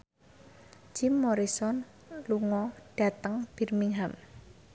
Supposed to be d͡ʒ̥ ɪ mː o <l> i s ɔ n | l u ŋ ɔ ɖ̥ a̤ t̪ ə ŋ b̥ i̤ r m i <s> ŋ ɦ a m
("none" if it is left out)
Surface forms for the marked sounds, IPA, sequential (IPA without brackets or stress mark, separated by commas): ɾ, none